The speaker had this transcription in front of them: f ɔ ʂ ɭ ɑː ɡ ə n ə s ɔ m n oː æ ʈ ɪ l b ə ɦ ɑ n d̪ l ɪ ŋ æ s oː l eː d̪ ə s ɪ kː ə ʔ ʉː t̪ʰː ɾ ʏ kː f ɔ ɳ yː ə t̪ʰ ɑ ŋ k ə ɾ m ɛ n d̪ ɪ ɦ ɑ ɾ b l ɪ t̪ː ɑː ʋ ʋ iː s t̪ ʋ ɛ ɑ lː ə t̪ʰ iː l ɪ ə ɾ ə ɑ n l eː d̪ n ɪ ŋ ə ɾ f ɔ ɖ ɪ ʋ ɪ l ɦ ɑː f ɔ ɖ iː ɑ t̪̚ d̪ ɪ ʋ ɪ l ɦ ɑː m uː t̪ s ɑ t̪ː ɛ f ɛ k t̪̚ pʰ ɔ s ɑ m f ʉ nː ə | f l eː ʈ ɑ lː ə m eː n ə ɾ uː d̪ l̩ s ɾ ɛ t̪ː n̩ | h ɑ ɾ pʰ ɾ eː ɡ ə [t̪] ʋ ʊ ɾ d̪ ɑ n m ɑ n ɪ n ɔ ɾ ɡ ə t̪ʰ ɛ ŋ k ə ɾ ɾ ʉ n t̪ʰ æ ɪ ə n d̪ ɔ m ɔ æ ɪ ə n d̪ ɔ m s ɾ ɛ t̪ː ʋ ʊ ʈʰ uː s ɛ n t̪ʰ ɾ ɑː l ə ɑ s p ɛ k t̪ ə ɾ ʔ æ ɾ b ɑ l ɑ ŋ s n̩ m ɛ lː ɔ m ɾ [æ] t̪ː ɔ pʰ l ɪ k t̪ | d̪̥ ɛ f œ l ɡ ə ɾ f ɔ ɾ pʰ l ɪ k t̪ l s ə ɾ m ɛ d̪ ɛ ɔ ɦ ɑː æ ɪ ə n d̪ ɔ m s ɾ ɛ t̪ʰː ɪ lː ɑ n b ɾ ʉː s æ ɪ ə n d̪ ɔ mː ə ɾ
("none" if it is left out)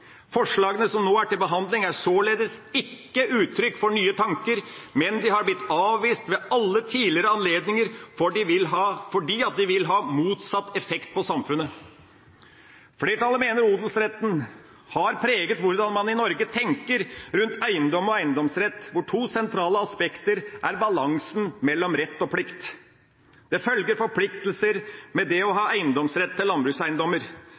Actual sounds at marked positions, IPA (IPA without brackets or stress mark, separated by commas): t̪, ɛ